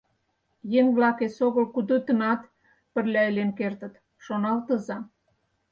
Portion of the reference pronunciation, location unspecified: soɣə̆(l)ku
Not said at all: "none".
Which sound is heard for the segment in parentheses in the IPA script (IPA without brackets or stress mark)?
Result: l